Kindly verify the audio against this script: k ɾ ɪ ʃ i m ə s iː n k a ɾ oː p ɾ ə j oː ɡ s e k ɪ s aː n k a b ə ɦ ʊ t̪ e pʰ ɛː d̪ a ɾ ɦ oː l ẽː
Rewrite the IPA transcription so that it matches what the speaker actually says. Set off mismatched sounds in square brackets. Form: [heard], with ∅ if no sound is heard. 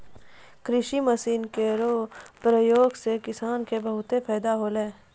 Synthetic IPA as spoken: k ɾ ɪ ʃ i m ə s iː n k [e] ɾ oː p ɾ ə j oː ɡ s e k ɪ s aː n k [e] b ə ɦ ʊ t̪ e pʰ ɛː d̪ a [∅] ɦ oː l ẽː